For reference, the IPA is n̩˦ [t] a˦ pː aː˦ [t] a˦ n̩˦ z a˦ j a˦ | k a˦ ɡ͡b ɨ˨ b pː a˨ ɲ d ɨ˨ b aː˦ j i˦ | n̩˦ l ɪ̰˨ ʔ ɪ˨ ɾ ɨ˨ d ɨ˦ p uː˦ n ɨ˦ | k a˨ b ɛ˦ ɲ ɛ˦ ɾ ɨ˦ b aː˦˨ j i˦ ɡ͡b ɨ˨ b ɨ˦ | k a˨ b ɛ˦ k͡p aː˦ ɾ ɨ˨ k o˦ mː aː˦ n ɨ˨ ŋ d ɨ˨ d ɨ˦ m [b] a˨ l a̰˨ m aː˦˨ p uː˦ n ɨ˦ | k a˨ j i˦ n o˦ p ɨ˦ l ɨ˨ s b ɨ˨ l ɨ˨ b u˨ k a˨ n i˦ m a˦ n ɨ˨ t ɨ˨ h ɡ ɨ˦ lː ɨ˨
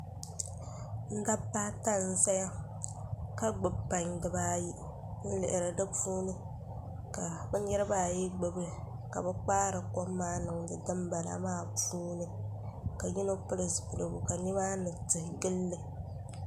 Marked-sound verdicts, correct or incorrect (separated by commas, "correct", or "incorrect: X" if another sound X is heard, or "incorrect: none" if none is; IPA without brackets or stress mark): incorrect: d, correct, correct